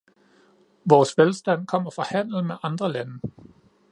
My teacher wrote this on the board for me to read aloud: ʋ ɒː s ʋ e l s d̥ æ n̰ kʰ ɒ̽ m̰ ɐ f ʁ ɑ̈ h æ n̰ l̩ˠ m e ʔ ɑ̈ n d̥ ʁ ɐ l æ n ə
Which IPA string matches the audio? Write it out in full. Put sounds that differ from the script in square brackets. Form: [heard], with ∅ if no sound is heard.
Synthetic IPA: ʋ ɒː s ʋ e l s d̥ æ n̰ kʰ ɒ̽ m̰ ɐ f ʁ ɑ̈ h æ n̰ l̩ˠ m e ʔ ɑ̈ n d̥ ʁ ɐ l æ n ə